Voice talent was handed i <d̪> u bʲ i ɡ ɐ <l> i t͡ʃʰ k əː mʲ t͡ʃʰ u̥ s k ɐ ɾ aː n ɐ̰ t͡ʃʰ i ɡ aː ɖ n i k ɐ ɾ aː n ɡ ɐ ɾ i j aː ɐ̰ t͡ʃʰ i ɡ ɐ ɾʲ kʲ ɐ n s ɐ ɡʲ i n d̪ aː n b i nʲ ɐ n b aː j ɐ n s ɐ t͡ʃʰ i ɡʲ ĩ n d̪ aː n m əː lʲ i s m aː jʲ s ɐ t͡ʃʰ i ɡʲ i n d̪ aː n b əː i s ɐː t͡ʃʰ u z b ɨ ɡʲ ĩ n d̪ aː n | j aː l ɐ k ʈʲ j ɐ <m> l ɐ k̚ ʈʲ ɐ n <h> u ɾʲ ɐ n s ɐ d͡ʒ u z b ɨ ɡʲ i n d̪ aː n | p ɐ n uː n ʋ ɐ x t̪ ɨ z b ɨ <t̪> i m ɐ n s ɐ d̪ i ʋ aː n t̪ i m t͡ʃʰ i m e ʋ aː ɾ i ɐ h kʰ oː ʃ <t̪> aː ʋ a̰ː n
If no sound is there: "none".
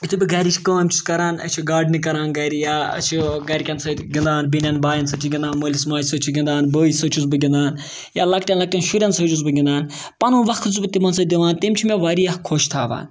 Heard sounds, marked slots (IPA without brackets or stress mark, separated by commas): t̪, ɾ, n, ʃ, t̪, t̪ʰ